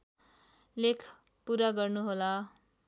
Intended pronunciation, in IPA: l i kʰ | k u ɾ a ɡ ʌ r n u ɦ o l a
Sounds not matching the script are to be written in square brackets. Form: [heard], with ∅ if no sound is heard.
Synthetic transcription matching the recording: l [e] kʰ | [p] u ɾ a ɡ ʌ r n u ɦ o l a